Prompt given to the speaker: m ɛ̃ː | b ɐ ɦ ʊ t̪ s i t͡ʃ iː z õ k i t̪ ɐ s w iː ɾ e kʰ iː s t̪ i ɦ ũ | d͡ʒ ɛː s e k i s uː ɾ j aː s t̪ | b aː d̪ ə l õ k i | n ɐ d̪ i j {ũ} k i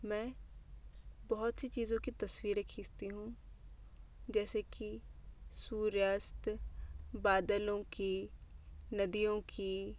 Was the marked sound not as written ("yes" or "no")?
yes